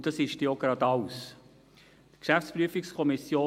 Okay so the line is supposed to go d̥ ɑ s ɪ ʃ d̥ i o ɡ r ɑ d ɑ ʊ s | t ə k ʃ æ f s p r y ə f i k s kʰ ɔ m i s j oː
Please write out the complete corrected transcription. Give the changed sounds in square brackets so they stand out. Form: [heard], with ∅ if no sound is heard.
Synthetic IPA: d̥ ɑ s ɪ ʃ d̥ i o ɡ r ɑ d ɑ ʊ s | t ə k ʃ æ f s p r y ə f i k s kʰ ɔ m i s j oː